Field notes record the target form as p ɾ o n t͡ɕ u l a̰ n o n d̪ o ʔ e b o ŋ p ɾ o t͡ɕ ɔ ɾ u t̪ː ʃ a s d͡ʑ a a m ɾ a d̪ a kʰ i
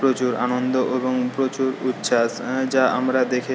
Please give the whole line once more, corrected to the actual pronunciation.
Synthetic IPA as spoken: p ɾ o t͡ɕ u ɾ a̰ n o n d̪ o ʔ e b o ŋ p ɾ o t͡ɕ u ɾ u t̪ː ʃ a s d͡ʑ a a m ɾ a d̪ e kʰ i